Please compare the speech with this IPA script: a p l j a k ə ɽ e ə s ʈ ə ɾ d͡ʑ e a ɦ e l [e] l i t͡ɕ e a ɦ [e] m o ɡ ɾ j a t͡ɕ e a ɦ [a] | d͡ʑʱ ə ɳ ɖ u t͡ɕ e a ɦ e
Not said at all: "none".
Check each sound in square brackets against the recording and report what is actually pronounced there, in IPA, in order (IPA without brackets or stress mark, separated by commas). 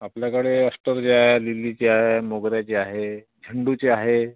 i, e, e